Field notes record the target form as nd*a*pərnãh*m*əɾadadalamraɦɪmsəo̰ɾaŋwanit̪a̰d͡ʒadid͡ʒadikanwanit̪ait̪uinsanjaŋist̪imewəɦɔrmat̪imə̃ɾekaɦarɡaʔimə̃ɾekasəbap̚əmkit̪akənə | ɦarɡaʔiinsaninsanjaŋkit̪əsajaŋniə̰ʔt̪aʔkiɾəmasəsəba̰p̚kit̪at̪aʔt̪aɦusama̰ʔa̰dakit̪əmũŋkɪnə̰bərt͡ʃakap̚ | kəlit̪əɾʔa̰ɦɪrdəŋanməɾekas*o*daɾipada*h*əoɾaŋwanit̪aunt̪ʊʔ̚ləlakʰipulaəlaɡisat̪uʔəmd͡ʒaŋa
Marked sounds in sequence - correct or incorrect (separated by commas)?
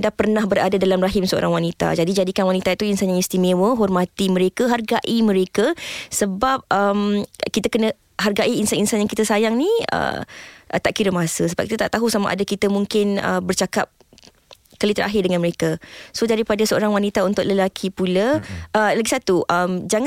correct, incorrect, correct, incorrect